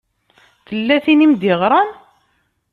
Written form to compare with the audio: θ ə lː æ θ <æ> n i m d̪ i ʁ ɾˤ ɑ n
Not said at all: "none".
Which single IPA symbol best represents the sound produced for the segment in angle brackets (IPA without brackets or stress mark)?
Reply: i